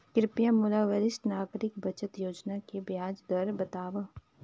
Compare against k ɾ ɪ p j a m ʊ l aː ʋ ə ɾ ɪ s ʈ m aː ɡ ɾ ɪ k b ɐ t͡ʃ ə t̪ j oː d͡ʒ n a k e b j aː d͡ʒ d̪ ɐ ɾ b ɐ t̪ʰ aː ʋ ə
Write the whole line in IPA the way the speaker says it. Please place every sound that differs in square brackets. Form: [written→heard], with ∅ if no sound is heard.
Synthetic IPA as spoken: k ɾ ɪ p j a m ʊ l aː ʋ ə ɾ ɪ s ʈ [m→n] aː ɡ ɾ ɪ k b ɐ t͡ʃ ə t̪ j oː d͡ʒ n a k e b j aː d͡ʒ d̪ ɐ ɾ b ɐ [t̪ʰ→t̪] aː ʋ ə